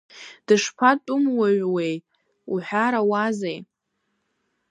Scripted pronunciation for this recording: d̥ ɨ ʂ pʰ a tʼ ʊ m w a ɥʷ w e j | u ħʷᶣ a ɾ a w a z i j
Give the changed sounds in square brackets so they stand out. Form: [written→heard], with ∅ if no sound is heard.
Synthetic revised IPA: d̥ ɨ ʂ pʰ a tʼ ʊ m w a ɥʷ w e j | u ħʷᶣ a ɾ a w a z [i→e] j